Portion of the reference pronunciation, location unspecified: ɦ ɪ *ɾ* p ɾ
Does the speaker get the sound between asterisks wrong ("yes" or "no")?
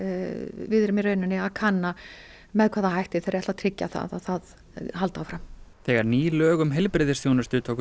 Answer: yes